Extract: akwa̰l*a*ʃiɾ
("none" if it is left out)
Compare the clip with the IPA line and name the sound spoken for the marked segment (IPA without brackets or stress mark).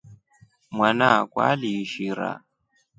i